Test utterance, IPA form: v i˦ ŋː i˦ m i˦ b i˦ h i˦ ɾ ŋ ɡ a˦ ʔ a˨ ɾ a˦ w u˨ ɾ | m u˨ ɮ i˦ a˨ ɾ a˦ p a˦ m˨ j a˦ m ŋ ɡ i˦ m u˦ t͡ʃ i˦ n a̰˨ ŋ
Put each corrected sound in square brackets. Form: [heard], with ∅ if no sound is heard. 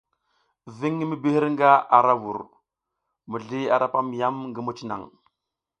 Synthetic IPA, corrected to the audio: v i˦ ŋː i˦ m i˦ b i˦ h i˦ ɾ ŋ ɡ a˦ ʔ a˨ ɾ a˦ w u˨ ɾ | m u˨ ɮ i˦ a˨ ɾ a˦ p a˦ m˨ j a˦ m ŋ ɡ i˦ m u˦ t͡ʃ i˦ n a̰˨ ŋ